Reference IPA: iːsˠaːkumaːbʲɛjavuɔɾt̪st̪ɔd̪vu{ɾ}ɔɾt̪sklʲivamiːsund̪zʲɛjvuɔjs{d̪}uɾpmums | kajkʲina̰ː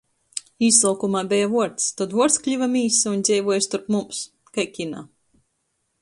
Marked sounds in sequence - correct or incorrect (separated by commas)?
incorrect, incorrect